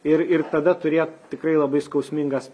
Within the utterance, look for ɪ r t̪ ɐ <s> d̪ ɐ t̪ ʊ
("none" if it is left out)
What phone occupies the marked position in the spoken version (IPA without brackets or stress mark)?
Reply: none